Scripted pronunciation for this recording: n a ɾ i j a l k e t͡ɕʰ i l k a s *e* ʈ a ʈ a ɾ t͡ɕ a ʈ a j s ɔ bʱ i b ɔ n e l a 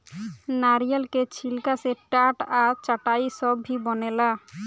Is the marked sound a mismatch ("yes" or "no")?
no